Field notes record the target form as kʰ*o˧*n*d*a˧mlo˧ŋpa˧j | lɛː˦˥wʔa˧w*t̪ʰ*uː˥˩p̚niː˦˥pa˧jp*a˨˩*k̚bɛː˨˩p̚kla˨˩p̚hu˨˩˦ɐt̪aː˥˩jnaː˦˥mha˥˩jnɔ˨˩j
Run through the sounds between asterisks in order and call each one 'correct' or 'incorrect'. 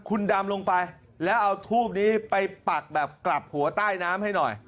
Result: incorrect, correct, correct, correct

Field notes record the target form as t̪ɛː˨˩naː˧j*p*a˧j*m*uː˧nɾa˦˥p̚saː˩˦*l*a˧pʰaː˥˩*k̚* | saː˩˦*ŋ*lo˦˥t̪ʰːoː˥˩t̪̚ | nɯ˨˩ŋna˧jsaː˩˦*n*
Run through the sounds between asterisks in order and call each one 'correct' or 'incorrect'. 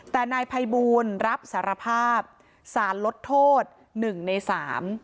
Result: incorrect, incorrect, incorrect, incorrect, incorrect, incorrect

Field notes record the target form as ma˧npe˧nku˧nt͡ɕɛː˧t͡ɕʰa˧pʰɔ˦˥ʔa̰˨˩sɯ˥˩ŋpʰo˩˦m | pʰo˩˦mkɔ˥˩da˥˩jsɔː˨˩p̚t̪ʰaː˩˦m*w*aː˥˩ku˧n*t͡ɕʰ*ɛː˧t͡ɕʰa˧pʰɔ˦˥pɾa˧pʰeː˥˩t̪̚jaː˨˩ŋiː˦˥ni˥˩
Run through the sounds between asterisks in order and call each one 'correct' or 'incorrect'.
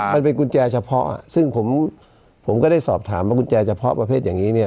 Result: correct, incorrect

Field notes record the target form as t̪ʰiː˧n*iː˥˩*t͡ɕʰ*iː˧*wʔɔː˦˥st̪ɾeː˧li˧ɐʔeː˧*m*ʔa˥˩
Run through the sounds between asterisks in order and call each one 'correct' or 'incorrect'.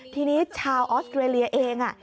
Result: incorrect, incorrect, incorrect

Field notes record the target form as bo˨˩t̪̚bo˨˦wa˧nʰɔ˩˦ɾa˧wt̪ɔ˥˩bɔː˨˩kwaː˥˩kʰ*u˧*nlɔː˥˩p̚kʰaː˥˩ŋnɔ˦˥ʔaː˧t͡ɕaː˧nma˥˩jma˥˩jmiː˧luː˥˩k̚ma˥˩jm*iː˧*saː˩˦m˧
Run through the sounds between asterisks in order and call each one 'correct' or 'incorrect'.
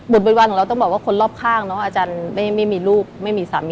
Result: incorrect, correct

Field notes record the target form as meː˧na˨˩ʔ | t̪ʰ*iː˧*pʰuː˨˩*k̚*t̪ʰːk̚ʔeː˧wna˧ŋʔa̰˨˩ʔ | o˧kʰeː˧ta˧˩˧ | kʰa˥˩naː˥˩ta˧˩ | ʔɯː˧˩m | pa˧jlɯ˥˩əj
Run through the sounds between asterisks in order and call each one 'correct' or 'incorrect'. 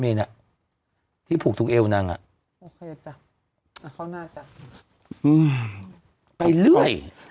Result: incorrect, correct

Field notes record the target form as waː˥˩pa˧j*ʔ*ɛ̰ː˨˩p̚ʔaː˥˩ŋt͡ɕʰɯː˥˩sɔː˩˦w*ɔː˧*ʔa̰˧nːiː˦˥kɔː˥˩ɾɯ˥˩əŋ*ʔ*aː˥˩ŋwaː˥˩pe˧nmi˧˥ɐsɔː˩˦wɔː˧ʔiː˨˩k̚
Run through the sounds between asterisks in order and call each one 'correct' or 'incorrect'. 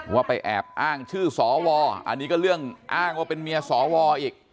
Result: correct, correct, correct

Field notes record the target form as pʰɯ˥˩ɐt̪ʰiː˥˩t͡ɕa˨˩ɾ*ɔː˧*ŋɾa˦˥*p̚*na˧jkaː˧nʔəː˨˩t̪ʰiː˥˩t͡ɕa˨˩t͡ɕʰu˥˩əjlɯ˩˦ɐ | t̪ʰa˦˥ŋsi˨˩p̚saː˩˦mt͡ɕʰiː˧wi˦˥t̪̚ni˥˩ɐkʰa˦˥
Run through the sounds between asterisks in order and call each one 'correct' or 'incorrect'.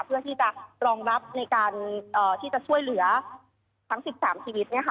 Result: correct, correct

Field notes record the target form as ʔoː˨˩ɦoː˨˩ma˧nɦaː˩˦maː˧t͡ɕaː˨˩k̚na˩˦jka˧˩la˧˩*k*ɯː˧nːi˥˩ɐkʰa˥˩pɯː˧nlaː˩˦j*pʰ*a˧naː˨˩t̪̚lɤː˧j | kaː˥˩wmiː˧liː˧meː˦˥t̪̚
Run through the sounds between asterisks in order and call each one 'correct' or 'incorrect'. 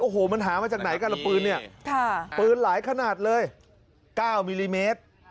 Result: incorrect, incorrect

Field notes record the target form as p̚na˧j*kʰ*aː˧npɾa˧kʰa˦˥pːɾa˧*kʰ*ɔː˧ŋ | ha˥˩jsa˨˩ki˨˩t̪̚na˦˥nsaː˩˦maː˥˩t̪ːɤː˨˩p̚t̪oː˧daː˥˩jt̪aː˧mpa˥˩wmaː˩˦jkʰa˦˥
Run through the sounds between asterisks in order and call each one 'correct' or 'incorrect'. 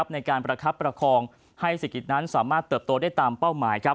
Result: incorrect, correct

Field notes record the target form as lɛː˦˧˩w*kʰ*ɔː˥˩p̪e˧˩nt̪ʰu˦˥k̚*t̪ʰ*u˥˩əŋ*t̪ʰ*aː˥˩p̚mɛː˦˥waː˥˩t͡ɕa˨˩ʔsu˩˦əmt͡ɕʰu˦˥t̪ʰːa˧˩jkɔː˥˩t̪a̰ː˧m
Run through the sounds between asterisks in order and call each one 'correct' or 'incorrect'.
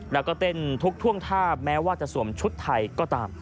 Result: incorrect, correct, correct

